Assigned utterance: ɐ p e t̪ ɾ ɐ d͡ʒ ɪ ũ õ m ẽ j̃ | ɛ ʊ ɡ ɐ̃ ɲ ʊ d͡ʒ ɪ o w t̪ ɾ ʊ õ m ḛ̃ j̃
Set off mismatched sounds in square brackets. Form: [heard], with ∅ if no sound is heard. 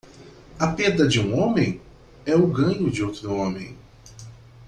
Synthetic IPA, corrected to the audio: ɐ p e [d̪] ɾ ɐ d͡ʒ ɪ ũ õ m ẽ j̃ | ɛ ʊ ɡ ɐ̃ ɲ ʊ d͡ʒ ɪ o w t̪ ɾ ʊ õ m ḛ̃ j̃